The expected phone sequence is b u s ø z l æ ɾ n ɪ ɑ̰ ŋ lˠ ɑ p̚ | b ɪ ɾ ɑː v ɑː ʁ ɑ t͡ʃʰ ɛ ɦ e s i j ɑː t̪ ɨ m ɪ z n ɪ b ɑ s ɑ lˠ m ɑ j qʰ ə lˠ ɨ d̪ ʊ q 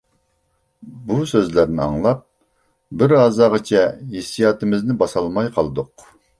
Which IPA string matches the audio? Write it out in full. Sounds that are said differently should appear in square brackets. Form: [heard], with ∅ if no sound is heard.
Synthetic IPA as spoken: b u s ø z l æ ɾ n ɪ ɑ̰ ŋ lˠ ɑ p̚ | b ɪ ɾ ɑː [z] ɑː ʁ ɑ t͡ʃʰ ɛ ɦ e s i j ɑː t̪ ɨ m ɪ z n ɪ b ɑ s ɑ lˠ m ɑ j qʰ [ɑ] lˠ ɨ d̪ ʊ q